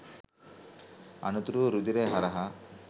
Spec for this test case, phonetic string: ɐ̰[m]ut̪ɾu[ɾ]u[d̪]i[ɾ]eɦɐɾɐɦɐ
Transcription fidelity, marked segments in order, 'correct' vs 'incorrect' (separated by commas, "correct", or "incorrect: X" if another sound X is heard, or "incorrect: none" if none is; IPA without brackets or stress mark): incorrect: n, correct, correct, correct